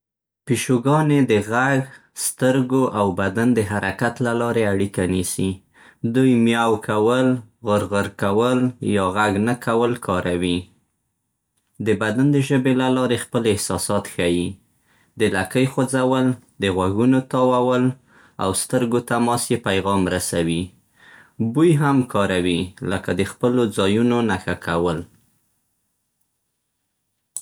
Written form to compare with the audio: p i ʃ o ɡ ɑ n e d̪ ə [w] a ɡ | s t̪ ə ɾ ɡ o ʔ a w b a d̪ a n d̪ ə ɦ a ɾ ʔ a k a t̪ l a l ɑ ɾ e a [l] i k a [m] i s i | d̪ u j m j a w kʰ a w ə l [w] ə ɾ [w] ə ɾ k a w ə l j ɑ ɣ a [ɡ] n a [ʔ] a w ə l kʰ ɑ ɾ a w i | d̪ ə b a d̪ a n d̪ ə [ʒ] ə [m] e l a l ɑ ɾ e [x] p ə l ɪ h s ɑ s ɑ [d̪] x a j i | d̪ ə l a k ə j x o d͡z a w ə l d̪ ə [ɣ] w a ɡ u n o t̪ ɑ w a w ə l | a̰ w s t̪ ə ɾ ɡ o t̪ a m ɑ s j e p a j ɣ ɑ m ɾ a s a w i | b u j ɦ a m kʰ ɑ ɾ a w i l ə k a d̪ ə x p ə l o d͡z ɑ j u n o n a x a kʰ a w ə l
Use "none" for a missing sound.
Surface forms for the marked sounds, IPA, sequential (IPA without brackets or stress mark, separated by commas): ɣ, ɽ, n, ɣ, ɣ, ɡ, k, ʒ, b, x, t̪, ɣ